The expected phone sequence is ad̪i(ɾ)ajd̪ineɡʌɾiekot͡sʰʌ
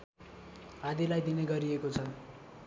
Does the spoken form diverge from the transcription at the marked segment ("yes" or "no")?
yes